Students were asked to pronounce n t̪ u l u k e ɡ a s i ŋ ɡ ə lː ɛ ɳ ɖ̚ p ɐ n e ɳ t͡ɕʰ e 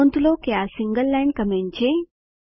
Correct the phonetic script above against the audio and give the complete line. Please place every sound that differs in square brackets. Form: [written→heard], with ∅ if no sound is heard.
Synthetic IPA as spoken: n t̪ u l [u→o] k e [ɡ→∅] a s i ŋ ɡ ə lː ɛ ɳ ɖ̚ [p→k] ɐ [n→m] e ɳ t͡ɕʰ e